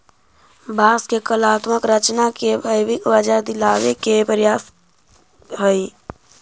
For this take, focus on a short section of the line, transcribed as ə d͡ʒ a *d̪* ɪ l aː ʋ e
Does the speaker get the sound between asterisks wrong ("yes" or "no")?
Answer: no